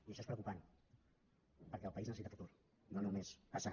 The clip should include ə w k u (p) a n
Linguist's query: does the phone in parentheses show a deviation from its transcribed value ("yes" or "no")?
no